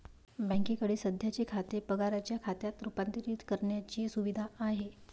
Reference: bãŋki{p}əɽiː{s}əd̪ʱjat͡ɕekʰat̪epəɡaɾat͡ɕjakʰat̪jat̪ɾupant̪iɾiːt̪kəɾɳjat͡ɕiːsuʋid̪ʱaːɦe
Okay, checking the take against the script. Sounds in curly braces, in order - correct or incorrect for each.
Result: incorrect: k, correct

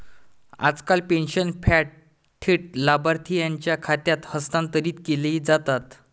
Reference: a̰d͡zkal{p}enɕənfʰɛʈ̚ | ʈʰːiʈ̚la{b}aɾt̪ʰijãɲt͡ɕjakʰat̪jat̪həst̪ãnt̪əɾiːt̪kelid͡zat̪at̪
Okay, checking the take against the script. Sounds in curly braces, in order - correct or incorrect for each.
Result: correct, correct

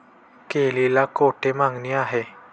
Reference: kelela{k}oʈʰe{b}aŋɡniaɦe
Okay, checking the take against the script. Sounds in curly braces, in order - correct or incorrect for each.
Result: correct, incorrect: m

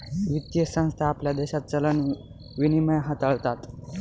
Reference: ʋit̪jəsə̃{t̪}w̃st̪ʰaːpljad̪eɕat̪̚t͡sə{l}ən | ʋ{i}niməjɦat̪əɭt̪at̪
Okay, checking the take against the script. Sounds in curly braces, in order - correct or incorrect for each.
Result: incorrect: none, correct, correct

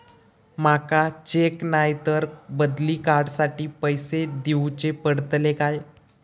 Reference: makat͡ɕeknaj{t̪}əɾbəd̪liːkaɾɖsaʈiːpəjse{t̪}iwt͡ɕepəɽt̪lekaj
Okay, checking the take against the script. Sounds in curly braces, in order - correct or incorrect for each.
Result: correct, incorrect: d̪

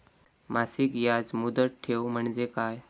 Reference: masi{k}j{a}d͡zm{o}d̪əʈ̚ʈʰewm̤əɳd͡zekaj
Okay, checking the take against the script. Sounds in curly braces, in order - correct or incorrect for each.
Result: correct, correct, incorrect: u

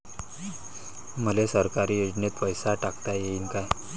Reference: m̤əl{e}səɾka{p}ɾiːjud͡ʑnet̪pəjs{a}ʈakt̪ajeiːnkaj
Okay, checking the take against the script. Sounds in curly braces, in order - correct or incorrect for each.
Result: correct, incorrect: none, correct

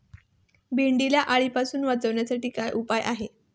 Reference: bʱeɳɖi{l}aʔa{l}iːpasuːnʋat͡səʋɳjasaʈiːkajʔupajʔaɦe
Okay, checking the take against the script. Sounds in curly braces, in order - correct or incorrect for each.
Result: correct, incorrect: ɭ

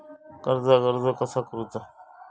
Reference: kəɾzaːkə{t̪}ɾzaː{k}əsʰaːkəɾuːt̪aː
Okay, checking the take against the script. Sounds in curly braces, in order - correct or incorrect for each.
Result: incorrect: none, correct

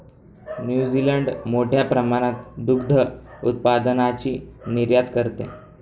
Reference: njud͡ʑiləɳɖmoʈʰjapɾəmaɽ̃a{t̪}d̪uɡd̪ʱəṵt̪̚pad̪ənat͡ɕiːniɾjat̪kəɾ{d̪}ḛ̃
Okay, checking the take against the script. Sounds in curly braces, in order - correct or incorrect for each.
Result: correct, incorrect: t̪

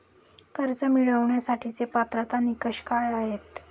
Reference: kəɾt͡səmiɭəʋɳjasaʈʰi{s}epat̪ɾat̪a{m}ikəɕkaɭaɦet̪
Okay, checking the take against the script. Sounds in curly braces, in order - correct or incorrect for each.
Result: incorrect: t͡s, incorrect: n

